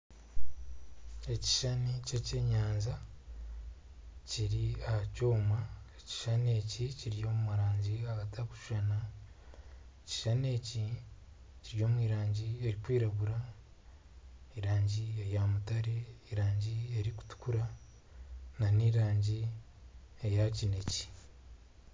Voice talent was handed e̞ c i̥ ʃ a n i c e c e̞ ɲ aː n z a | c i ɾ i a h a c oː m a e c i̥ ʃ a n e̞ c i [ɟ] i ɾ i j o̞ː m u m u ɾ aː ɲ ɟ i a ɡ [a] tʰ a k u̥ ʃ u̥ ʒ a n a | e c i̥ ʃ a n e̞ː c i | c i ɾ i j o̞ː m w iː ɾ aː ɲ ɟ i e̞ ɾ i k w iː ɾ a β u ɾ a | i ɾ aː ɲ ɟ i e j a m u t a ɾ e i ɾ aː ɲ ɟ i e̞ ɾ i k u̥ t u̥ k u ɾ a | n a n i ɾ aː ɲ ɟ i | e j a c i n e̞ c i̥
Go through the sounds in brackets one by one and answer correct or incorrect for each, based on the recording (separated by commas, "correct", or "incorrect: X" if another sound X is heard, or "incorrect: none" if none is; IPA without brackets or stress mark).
incorrect: c, correct